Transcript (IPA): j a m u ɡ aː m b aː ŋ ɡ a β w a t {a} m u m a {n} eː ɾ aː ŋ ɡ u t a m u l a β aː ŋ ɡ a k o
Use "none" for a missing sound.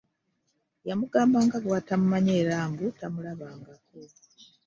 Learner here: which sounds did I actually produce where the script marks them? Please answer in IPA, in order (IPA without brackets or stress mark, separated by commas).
a, ɲ